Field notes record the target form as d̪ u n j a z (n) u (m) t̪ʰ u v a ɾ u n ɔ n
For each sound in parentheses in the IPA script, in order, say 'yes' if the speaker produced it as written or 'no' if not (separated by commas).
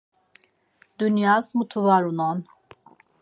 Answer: no, no